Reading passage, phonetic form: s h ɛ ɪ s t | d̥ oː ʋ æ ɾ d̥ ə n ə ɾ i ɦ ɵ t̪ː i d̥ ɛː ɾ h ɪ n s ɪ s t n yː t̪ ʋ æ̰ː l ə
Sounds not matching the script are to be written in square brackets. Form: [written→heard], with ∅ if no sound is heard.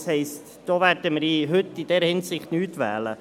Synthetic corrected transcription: s h ɛ ɪ s t | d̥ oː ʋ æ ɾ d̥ ə [n→m] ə ɾ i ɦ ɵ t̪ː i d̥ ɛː ɾ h ɪ n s ɪ [s→χ] t n yː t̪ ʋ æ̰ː l ə